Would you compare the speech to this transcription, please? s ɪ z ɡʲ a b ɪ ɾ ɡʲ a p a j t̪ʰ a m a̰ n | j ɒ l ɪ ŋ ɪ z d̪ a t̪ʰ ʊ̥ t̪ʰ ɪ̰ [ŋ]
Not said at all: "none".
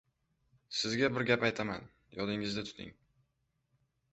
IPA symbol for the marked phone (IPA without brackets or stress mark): ŋ